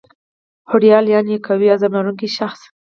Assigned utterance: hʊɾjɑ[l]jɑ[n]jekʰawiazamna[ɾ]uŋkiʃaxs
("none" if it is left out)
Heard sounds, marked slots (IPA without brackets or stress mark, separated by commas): l, n, ɾ